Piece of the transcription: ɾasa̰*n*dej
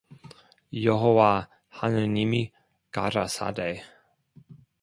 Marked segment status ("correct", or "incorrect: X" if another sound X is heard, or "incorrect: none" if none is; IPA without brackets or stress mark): incorrect: none